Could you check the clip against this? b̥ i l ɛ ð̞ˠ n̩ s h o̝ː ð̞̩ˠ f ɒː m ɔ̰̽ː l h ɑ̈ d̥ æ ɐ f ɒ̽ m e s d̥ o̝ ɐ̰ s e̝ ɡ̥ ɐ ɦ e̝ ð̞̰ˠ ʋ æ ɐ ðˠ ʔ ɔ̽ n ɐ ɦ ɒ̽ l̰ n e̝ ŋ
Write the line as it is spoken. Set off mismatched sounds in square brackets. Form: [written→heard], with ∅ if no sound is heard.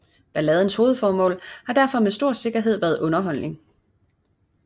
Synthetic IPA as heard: b̥ [i→æ] l ɛ ð̞ˠ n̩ s h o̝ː ð̞̩ˠ f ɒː m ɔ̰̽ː l h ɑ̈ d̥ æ ɐ f ɒ̽ m e s d̥ o̝ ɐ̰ s e̝ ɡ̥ ɐ ɦ e̝ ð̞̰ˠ ʋ æ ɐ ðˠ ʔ ɔ̽ n ɐ ɦ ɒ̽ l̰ n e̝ ŋ